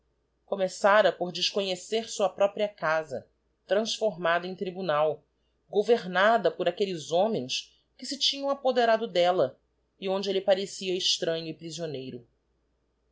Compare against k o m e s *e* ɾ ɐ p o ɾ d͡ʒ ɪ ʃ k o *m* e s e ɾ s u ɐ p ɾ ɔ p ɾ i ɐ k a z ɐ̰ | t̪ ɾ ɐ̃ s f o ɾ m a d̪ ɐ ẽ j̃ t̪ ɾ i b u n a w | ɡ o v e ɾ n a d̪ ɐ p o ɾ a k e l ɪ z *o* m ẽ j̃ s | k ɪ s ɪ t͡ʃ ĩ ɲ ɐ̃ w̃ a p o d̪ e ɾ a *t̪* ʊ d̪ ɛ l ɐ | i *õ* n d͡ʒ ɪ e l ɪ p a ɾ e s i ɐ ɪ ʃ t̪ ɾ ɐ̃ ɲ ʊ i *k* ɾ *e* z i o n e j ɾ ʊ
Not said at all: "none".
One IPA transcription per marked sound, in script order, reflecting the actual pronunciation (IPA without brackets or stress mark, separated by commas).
a, ɲ, õ, d̪, õ, p, i